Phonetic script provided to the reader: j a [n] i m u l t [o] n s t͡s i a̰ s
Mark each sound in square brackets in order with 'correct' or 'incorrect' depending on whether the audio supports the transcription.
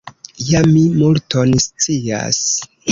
incorrect, correct

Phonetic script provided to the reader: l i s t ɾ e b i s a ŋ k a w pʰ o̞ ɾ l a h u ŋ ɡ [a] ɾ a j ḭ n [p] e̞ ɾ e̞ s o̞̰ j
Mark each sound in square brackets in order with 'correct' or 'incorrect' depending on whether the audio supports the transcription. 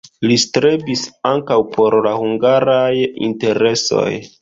correct, incorrect

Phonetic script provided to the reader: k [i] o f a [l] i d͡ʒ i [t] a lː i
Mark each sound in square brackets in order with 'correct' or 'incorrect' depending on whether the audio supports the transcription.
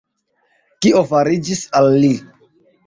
correct, incorrect, incorrect

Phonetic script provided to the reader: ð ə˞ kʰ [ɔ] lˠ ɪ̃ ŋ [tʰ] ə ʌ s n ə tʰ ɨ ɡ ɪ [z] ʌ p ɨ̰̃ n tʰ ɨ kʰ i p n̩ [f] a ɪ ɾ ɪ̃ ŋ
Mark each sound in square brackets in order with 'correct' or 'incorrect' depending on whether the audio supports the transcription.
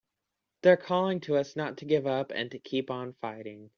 correct, correct, incorrect, correct

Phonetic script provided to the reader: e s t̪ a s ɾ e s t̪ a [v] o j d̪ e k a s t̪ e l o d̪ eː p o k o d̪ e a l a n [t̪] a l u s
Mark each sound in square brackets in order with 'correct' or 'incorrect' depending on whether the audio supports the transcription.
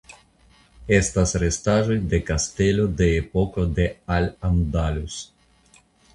incorrect, incorrect

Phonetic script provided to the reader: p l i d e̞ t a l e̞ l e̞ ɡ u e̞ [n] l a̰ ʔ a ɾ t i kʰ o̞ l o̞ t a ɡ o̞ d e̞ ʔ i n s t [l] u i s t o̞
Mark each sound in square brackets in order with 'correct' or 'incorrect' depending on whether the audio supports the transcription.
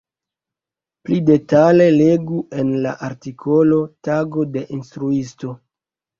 correct, incorrect

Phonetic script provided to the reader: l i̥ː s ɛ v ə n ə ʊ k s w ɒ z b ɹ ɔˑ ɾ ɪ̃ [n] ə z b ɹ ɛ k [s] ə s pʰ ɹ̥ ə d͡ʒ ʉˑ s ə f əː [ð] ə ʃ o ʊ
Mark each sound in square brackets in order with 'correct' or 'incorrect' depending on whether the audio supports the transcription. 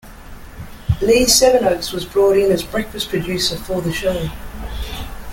correct, incorrect, correct

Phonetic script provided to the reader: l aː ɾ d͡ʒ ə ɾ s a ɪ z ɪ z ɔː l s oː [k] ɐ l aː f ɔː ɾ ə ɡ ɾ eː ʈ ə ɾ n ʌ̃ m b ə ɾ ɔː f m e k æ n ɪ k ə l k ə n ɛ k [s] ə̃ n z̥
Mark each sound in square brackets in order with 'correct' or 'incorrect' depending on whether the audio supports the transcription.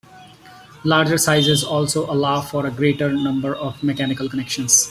incorrect, incorrect

